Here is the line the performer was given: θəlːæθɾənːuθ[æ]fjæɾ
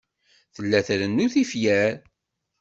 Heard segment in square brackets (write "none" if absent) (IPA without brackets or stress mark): i